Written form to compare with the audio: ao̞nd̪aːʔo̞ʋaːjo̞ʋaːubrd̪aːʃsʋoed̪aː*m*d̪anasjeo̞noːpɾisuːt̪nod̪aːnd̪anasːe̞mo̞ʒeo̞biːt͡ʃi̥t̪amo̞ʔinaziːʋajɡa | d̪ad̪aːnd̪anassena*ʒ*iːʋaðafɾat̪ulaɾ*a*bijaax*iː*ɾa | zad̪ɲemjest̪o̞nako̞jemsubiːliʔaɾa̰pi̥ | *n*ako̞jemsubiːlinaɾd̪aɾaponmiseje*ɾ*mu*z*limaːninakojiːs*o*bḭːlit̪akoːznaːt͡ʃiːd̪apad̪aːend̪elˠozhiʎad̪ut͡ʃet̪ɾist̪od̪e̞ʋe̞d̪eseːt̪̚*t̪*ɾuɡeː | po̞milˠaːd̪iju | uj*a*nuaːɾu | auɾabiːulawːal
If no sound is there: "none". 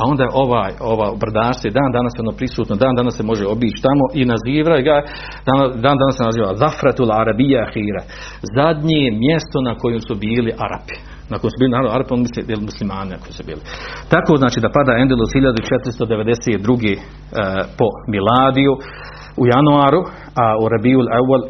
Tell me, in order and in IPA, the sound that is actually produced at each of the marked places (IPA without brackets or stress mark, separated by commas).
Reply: n, z, a, iː, n, l, s, u, d̪, a